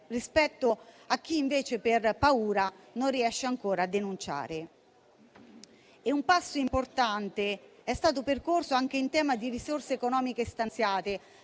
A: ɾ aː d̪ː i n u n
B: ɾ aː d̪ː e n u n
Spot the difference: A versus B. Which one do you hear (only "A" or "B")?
B